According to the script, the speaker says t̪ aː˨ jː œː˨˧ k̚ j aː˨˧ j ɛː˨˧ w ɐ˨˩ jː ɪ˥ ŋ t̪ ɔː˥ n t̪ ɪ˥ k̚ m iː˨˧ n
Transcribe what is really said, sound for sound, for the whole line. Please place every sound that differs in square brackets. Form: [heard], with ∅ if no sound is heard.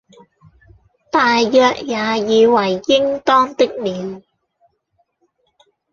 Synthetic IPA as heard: t̪ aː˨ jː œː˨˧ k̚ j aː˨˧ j [iː˨˧] w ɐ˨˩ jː ɪ˥ ŋ t̪ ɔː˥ [ŋ] t̪ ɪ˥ k̚ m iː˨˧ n